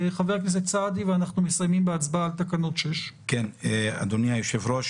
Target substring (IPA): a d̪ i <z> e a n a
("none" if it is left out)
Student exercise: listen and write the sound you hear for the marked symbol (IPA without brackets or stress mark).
v